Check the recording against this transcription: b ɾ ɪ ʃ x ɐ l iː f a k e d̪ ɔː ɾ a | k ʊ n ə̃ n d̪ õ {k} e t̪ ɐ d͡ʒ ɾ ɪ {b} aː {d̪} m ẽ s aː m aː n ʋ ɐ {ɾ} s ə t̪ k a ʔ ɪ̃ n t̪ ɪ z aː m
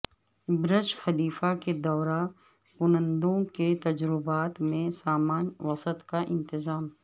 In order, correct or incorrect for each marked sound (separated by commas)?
correct, correct, incorrect, incorrect